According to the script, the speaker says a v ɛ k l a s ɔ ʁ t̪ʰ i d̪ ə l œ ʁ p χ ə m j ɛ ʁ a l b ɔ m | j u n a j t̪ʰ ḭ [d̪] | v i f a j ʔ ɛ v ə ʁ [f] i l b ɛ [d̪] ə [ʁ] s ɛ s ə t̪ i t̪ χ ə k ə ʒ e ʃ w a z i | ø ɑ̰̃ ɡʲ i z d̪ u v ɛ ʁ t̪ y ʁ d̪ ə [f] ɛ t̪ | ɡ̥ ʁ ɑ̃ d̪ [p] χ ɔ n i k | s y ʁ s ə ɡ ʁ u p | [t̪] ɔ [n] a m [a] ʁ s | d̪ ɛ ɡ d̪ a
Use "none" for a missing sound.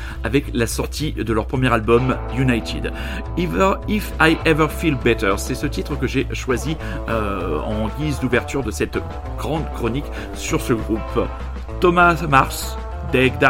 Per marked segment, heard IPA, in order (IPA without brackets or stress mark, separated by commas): d̪, f, t̪, ʁ, s, k, t̪, m, a